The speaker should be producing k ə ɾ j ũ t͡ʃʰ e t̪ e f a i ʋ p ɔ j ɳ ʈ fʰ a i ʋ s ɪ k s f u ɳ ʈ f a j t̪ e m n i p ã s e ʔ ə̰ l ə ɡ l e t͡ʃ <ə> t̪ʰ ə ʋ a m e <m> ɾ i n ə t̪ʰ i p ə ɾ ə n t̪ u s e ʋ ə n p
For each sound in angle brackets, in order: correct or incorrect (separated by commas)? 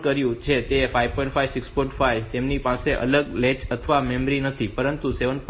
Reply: correct, correct